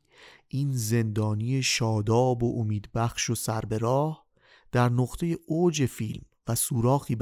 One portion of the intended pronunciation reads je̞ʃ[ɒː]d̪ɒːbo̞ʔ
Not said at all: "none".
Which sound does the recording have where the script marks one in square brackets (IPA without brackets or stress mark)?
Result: ɒː